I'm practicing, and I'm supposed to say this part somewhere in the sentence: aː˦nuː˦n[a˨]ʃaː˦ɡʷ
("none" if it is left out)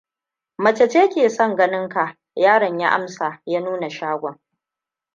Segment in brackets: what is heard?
a˨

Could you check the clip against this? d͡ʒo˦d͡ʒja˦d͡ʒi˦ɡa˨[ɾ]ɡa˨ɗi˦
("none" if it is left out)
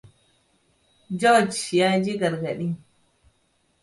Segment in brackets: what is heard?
ɾ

